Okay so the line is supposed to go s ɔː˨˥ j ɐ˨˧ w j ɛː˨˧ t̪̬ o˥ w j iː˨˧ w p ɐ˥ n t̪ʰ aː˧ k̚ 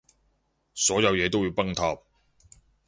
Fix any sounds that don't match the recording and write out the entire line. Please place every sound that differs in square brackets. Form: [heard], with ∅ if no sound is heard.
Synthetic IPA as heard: s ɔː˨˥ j ɐ˨˧ w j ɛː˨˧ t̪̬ o˥ w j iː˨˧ w p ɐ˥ [ŋ] t̪ʰ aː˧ [p̚]